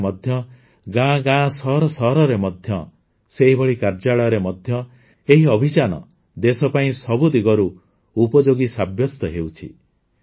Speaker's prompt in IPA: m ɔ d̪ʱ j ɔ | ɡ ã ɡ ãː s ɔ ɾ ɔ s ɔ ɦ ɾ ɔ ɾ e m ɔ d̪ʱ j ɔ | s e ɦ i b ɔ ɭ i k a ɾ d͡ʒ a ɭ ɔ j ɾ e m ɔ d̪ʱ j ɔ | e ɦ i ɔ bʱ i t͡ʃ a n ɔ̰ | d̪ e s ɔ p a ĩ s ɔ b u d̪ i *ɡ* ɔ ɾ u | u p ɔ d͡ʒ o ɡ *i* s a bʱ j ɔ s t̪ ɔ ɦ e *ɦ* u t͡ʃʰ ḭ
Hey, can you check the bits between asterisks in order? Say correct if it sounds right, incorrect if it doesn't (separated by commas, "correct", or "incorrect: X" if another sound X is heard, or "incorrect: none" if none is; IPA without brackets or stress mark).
correct, correct, incorrect: none